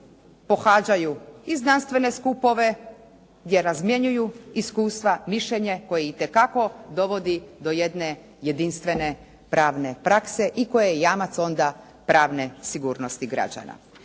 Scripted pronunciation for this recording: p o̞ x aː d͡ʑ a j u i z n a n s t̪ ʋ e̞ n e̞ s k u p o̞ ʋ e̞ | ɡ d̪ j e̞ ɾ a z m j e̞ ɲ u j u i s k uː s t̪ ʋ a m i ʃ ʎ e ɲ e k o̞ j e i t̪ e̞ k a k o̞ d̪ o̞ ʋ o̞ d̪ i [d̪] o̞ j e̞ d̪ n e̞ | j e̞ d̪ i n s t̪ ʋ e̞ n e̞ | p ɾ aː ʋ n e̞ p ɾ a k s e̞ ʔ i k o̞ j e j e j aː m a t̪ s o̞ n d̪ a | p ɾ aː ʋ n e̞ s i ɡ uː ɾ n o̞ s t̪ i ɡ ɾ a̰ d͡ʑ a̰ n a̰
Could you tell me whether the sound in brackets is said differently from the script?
no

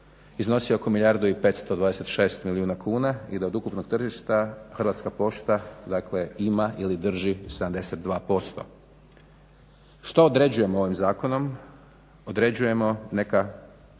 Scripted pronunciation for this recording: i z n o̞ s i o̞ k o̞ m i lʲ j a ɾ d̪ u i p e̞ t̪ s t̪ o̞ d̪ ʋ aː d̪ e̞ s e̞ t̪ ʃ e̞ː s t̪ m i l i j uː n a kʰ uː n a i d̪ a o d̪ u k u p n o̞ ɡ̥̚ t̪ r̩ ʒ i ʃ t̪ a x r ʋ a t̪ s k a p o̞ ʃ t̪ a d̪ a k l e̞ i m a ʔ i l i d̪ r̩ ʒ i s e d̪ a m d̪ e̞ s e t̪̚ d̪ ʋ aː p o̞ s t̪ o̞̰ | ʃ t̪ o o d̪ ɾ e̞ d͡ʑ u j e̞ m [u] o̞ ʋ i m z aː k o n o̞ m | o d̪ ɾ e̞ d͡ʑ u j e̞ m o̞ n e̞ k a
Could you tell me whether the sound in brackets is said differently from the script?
yes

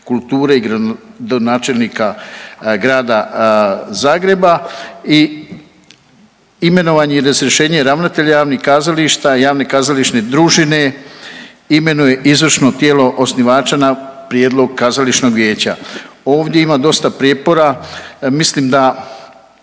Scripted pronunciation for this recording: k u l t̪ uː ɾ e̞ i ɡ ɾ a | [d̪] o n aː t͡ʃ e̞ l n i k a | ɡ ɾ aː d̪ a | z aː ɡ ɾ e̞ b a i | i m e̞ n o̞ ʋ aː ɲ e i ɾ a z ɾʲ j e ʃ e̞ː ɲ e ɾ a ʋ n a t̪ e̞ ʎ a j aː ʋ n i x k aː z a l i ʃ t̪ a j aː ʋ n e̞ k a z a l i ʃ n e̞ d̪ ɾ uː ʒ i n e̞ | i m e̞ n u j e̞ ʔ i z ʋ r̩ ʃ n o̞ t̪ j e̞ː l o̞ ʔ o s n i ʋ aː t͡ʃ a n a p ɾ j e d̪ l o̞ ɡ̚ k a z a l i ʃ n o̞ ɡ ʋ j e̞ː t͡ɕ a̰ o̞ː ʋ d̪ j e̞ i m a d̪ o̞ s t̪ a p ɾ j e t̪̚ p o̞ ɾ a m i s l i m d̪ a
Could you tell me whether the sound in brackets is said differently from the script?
no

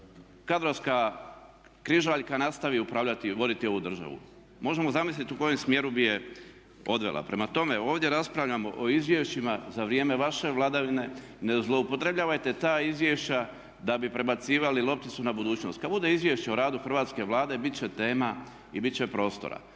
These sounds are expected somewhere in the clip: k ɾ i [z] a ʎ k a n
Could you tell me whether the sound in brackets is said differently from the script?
yes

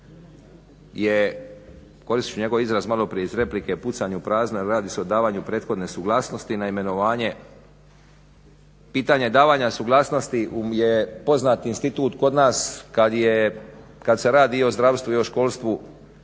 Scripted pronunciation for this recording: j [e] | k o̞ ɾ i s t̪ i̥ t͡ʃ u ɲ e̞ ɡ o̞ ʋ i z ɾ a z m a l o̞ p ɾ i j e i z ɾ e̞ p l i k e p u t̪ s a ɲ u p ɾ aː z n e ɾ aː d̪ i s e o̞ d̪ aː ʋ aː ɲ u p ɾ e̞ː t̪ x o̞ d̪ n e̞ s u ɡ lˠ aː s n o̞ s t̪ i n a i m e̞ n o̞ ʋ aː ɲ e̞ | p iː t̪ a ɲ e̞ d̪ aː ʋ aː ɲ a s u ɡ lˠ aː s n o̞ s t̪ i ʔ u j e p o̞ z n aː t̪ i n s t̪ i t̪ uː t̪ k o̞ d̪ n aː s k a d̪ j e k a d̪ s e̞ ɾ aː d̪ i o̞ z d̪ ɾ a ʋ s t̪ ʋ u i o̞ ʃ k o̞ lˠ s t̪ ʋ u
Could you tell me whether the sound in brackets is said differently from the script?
no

